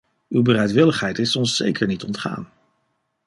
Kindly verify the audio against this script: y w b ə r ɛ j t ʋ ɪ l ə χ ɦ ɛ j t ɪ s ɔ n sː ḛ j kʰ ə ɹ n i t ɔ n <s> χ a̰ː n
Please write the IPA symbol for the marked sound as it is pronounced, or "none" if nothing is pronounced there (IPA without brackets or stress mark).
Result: t